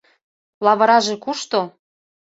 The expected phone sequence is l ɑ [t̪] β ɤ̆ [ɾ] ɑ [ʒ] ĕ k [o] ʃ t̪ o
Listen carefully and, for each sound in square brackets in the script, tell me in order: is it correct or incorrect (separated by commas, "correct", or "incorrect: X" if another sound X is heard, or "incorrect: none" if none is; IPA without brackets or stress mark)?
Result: incorrect: none, correct, correct, incorrect: u